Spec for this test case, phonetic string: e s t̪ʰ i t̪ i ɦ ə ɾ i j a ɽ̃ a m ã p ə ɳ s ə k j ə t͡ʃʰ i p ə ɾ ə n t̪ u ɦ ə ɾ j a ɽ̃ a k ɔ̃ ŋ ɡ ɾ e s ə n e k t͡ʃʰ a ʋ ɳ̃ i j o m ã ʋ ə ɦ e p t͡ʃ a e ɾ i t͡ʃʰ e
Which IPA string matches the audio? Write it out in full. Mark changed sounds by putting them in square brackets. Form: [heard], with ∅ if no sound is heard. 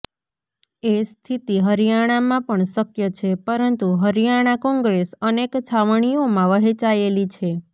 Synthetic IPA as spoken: e s t̪ʰ i t̪ i ɦ ə ɾ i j a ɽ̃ a m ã p ə ɳ s ə k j ə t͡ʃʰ [e] p ə ɾ ə n t̪ u ɦ ə ɾ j a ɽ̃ a k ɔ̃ ŋ ɡ ɾ e s ə n e k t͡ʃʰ a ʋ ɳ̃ i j o m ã ʋ ə ɦ e [∅] t͡ʃ a e [l] i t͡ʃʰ e